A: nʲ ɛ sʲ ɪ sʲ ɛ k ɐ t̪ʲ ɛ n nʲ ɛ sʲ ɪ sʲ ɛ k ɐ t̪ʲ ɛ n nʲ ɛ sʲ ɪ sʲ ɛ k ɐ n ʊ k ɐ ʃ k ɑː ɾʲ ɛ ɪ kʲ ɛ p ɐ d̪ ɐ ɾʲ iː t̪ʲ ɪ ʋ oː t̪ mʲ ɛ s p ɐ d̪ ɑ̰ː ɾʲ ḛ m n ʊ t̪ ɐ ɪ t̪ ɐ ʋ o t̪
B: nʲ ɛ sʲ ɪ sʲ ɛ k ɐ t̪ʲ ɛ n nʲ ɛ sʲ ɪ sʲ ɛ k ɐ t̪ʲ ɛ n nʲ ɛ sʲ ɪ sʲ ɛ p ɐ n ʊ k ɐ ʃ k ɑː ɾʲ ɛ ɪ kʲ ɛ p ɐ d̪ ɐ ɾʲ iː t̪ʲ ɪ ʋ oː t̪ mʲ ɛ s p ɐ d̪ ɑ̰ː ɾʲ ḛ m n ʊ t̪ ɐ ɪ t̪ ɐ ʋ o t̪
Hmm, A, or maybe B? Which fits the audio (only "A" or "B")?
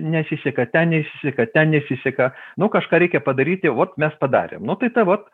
A